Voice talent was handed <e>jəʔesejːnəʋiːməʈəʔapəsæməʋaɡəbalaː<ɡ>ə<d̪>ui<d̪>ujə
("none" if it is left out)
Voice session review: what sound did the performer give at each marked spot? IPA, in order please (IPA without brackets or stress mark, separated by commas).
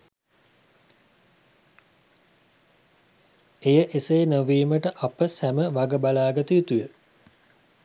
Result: e, ɡ, t̪, t̪